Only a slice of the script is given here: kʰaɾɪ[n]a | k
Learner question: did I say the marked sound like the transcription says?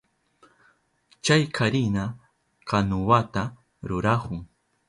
yes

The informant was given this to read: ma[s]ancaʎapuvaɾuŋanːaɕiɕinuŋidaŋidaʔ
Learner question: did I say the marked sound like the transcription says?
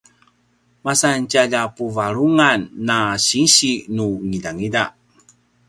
yes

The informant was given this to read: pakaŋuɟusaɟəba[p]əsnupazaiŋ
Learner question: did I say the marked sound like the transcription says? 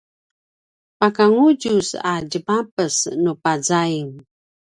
yes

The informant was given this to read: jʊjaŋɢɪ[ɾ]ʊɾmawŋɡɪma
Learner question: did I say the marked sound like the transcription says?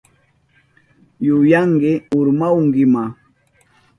no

